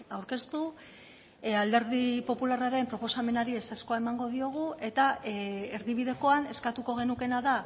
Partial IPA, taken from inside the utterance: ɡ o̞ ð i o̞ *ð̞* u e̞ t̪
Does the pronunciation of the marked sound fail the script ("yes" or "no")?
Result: yes